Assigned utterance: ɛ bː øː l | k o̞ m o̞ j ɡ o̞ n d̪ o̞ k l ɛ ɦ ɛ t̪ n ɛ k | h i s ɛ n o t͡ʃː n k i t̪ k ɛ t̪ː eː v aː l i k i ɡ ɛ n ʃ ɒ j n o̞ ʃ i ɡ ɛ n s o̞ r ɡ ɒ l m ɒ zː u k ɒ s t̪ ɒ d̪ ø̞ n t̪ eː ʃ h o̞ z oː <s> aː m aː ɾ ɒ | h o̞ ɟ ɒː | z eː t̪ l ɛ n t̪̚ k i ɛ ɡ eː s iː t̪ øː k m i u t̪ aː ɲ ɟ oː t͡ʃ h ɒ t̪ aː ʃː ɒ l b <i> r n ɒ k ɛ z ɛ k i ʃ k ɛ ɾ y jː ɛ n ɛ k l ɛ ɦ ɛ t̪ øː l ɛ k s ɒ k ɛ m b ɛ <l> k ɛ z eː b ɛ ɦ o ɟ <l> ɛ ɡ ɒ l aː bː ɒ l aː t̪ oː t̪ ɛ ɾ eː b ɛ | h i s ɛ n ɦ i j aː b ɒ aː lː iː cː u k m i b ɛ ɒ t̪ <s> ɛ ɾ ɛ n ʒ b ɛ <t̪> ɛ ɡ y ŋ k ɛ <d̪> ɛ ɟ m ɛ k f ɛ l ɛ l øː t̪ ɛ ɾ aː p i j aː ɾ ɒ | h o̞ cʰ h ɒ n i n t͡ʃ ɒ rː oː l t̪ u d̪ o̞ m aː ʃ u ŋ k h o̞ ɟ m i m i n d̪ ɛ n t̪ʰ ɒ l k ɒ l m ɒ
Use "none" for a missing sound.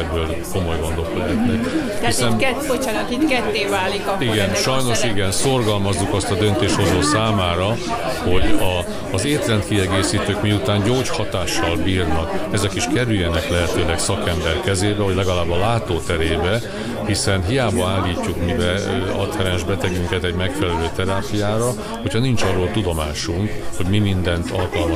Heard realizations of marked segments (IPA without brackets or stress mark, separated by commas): s, iː, r, l, h, t̪, t̪